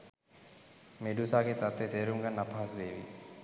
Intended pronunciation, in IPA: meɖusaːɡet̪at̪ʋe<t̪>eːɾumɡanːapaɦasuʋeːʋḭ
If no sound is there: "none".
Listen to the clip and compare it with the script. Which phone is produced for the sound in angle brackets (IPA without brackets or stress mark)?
t̪